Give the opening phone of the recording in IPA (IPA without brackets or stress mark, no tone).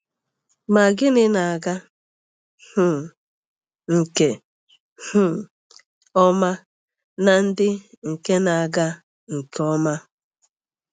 m